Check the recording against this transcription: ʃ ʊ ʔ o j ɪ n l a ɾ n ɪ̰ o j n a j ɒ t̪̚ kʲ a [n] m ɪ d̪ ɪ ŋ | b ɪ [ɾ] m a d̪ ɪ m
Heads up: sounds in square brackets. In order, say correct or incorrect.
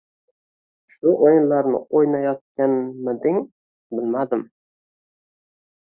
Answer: correct, incorrect: l

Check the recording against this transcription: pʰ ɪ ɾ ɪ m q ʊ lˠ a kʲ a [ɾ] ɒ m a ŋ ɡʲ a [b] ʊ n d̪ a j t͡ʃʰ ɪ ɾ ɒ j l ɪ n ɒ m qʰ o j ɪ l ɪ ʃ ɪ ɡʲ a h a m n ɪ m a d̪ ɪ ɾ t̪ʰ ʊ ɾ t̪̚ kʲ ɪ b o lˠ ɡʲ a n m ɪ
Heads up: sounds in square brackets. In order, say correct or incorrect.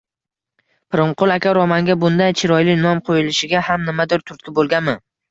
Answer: correct, correct

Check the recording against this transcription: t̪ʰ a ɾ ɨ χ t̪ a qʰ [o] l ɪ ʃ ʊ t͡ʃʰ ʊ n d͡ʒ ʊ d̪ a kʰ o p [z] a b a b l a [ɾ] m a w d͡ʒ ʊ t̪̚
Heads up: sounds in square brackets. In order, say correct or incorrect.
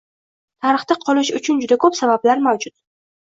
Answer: incorrect: ɒ, incorrect: s, correct

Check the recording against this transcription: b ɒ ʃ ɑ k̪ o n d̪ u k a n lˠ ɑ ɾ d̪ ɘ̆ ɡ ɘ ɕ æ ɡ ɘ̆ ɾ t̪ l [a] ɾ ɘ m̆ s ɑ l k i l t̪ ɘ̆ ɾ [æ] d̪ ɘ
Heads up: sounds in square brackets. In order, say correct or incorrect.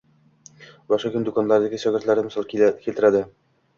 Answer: incorrect: æ, correct

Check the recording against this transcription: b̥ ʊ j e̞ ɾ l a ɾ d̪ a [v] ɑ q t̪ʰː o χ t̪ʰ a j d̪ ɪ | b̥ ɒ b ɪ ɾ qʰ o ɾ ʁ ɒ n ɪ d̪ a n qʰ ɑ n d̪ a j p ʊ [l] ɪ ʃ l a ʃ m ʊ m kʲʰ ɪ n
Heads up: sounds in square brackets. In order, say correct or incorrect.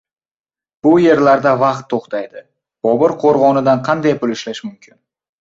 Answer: correct, correct

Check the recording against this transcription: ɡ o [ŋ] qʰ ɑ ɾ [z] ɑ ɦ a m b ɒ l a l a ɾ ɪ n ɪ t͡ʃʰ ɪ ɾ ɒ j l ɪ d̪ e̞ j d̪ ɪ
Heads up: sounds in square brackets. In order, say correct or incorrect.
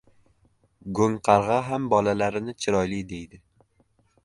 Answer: correct, incorrect: ʁ

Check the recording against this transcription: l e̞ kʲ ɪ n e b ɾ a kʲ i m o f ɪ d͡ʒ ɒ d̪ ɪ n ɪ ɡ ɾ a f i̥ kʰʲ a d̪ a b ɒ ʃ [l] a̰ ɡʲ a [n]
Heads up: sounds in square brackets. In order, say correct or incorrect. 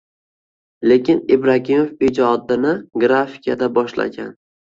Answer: correct, correct

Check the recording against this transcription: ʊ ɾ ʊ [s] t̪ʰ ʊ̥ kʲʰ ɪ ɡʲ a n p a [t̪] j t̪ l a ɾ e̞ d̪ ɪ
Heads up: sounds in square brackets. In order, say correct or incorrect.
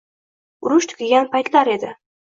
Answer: incorrect: ʃ, incorrect: none

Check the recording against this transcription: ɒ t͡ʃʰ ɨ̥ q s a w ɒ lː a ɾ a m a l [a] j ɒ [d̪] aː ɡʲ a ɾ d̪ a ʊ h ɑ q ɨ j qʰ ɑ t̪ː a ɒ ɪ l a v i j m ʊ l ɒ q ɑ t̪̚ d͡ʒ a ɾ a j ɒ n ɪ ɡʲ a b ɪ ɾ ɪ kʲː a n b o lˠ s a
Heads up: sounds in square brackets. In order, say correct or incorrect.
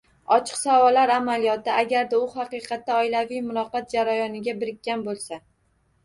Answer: incorrect: i, incorrect: t̪

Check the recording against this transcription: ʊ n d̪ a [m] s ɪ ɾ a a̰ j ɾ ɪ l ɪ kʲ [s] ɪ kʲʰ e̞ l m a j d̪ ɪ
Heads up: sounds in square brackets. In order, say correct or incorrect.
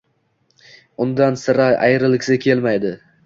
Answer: incorrect: n, correct

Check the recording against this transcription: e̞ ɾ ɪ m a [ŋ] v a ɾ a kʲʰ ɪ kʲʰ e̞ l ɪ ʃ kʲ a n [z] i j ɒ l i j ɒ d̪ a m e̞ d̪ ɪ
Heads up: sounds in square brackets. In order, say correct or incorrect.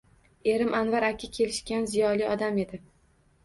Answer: incorrect: n, correct

